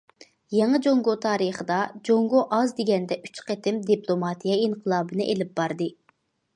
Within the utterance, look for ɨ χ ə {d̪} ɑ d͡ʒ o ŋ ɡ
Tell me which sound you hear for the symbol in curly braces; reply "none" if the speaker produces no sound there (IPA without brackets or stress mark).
d̪